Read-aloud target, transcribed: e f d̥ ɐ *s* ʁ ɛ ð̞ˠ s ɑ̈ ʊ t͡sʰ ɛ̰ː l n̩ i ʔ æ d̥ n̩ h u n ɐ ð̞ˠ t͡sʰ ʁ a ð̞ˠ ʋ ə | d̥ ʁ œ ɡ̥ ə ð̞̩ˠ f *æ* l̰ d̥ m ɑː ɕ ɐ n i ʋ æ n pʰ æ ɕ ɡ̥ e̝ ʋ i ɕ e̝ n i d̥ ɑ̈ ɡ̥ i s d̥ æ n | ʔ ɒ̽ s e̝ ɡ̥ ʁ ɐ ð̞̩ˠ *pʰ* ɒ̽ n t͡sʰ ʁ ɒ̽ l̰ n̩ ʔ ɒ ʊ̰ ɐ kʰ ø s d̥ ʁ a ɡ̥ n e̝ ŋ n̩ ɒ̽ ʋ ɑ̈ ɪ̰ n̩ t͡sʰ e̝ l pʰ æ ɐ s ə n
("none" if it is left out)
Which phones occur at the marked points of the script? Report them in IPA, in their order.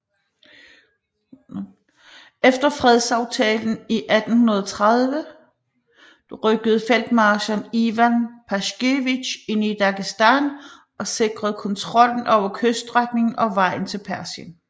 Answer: f, e, kʰ

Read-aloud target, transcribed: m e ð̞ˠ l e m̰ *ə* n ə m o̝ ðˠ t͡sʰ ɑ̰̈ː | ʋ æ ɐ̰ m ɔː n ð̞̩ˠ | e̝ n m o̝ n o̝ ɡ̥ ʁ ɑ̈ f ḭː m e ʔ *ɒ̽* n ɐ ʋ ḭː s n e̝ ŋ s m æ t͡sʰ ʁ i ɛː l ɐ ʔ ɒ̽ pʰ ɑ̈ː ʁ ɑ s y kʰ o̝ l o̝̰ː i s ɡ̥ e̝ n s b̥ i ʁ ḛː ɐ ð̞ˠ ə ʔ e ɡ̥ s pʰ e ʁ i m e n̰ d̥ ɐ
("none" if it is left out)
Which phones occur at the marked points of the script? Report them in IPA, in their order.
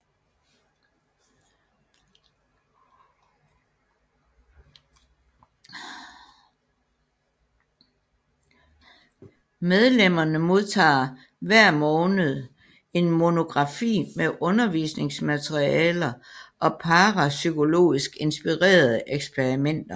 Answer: ɐ, ɔ̽

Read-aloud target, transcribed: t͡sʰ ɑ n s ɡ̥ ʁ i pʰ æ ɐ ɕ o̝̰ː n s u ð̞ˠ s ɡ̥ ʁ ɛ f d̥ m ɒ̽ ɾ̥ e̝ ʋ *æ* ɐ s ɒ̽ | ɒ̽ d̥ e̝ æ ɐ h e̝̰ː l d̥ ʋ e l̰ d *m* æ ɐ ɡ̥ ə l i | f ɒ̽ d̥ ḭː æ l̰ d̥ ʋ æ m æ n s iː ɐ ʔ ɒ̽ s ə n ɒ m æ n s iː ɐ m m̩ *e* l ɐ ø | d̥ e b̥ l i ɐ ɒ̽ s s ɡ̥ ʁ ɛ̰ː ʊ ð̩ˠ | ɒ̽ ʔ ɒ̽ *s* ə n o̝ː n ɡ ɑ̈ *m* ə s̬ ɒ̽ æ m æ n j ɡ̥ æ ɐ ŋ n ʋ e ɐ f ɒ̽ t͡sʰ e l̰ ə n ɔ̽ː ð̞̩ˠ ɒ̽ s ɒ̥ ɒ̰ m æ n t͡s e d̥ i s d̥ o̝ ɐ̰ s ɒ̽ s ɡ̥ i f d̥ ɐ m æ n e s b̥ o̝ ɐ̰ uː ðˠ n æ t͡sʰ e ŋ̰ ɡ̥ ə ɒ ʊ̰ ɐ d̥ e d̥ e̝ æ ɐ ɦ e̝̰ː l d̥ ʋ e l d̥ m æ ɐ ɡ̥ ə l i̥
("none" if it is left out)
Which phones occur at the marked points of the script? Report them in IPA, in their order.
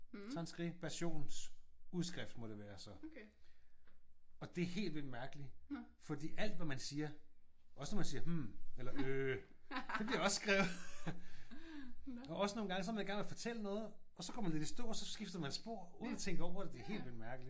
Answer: æː, m, e, s, ŋ

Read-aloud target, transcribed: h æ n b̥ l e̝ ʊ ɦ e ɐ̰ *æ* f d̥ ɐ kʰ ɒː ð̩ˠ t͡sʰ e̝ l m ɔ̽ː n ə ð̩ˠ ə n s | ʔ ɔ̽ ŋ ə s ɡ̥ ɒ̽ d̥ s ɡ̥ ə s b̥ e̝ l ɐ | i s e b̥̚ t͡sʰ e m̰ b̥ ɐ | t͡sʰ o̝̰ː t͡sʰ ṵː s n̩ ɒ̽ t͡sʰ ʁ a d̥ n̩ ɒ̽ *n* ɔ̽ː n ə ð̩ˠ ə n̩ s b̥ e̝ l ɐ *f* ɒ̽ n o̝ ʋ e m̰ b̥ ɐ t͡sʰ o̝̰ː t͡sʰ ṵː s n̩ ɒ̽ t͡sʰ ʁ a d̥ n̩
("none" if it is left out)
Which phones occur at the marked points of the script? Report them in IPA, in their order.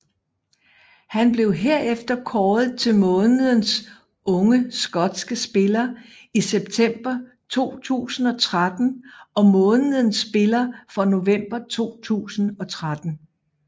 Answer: e, m, f

